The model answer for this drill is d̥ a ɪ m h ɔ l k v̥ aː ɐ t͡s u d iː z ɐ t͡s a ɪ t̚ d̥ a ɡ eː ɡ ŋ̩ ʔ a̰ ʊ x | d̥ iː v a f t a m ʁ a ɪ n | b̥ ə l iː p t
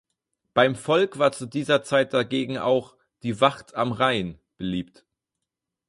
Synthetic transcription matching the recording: b̥ a ɪ m f ɔ l k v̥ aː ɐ t͡s u d iː z ɐ t͡s a ɪ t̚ d̥ a ɡ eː ɡ ŋ̩ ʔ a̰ ʊ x | d̥ iː v a χ t a m ʁ a ɪ n | b̥ ə l iː p t